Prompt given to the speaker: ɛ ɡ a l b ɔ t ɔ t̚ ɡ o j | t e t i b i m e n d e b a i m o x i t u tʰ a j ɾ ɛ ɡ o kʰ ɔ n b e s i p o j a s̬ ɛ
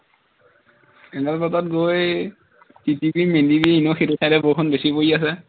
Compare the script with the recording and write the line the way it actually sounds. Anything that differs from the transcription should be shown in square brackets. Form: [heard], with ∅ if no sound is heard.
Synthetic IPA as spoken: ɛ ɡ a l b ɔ t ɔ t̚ ɡ o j | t [i] t i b i m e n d [i] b [i] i [n] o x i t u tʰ a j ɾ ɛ [b] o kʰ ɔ n b e s i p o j a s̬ ɛ

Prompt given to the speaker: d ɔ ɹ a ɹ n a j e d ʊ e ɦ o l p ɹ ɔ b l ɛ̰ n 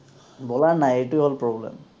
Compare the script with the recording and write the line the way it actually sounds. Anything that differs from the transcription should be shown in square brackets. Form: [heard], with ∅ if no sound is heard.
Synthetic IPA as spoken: [b] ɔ [l] a ɹ n a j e [t] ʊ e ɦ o l p ɹ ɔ b l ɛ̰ [m]

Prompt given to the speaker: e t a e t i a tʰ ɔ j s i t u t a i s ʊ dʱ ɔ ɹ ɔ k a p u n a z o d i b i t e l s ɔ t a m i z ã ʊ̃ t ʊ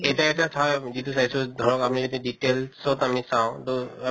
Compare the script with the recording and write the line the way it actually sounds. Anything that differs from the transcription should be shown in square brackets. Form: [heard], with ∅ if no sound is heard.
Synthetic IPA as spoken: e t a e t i a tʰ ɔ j [z] i t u [s] a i s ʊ dʱ ɔ ɹ ɔ k a p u n [i] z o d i [d] i t e l s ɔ t a m i [s] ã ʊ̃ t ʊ

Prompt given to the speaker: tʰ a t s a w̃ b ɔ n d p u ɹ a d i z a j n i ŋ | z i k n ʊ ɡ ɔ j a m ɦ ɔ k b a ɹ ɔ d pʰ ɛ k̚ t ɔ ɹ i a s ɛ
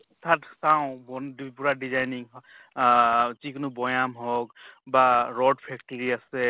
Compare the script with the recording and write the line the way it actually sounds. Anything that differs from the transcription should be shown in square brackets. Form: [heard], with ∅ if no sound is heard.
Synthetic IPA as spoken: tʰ a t s a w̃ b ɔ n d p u ɹ a d i z a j n i ŋ | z i k n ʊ [b] ɔ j a m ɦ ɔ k b a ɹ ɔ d pʰ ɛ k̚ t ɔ ɹ i a s ɛ

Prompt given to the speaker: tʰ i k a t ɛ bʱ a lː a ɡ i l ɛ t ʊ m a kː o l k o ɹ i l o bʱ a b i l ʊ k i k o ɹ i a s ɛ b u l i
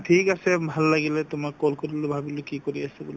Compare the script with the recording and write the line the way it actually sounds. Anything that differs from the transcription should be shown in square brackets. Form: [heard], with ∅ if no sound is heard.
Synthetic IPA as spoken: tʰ i k a [s] ɛ bʱ a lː a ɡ i l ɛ t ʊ m a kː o l k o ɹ i l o bʱ a b i l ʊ k i k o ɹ i a s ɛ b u l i

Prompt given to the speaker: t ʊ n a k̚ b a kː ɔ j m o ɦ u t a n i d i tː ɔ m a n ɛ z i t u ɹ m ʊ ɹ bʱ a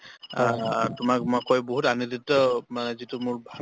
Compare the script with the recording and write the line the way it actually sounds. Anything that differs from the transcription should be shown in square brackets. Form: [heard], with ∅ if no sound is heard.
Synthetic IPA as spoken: t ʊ [m] a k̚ [m] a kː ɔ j [b] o ɦ u t a n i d i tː ɔ m a n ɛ z i t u [∅] m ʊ ɹ bʱ a

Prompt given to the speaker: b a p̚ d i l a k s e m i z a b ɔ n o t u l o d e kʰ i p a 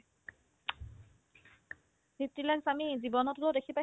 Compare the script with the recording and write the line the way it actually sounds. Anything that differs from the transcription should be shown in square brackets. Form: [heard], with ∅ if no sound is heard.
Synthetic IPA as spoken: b [i] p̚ [t] i l a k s [a] m i z [i] b ɔ n [ɔ] t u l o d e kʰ i p a

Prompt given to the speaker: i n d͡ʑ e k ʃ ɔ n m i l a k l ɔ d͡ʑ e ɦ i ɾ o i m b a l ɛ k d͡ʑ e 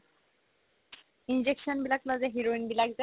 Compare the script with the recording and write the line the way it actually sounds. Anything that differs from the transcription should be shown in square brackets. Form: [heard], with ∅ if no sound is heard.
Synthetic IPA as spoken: i n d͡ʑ e k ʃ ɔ n [b] i l a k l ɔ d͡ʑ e ɦ i ɾ o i [n] b [i] l [a] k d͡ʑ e

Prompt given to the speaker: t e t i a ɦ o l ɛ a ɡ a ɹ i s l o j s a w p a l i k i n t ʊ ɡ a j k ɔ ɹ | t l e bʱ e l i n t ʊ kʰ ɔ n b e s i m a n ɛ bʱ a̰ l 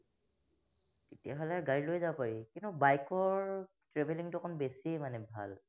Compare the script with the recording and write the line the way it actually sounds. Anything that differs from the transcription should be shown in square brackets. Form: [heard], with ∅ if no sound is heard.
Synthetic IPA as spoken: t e t i a ɦ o l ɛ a ɡ a ɹ i [∅] l o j [z] a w p a [ɹ] i k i n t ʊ [b] a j k ɔ ɹ | t [ɹ] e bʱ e l i [ŋ] t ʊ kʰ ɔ n b e s i m a n ɛ bʱ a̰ l

